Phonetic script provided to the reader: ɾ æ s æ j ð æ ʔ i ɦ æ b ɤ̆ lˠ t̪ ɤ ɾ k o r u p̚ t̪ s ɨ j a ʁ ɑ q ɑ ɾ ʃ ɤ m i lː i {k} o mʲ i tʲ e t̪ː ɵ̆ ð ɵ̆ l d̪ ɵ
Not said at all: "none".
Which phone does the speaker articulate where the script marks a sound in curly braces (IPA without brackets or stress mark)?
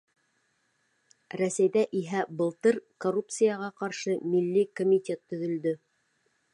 k